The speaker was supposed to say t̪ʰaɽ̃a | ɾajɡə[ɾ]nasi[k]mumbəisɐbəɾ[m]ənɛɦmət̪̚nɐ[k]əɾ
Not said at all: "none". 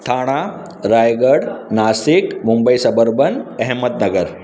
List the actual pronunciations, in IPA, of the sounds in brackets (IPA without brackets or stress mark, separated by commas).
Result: ɽ, k, b, ɡ